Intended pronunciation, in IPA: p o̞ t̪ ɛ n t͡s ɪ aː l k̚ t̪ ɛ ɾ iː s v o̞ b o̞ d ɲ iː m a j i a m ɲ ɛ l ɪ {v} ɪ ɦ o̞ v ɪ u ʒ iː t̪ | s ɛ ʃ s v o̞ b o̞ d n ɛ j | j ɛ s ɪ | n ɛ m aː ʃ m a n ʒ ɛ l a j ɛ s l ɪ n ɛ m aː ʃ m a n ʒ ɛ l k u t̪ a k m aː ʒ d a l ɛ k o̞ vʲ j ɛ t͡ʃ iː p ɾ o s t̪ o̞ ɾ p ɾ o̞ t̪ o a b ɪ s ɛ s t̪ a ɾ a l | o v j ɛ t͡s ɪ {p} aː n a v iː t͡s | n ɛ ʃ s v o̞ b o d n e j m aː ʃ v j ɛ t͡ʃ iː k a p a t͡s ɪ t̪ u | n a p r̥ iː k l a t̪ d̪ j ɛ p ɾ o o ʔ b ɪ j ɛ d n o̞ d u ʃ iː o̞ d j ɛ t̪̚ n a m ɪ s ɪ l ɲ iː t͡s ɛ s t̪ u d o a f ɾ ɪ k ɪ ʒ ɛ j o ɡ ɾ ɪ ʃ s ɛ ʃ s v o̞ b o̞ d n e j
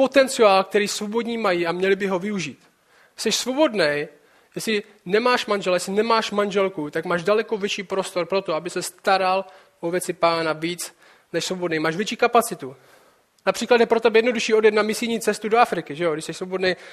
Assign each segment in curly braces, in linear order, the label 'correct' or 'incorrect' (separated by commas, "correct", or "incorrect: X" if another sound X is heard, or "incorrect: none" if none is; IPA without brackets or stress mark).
incorrect: b, correct